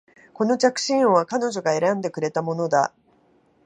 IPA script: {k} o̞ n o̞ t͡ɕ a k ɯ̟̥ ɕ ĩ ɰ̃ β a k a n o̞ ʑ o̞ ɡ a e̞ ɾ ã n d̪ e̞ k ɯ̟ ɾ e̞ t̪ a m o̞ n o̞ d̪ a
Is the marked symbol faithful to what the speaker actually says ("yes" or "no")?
yes